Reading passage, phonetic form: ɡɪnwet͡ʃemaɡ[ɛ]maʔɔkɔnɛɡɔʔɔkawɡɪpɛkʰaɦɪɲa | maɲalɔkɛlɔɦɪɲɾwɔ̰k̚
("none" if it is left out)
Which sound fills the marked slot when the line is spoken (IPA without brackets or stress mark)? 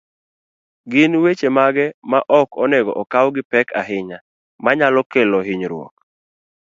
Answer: ɛ